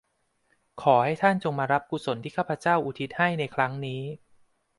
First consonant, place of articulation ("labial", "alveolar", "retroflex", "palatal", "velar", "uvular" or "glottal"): velar